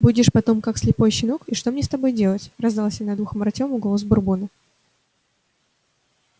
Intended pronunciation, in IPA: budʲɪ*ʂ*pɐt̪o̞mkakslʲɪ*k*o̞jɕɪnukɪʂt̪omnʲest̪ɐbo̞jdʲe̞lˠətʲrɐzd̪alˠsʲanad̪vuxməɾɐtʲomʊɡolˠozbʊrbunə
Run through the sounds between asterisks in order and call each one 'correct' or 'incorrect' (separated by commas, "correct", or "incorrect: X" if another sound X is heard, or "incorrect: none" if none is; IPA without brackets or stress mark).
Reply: correct, incorrect: p